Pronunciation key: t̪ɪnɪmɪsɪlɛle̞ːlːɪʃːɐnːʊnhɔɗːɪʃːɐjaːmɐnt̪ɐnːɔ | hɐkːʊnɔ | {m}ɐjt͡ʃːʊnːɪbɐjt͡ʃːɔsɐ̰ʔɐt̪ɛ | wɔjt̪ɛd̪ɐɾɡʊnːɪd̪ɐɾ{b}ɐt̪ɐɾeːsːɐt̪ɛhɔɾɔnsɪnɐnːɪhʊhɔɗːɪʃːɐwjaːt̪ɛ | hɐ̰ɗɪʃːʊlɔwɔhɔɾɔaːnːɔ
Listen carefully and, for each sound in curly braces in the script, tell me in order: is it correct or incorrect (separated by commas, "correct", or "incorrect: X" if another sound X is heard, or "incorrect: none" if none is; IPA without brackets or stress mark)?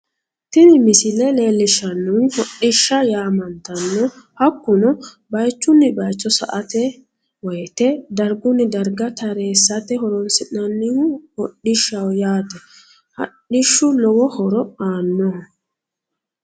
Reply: incorrect: b, incorrect: ɡ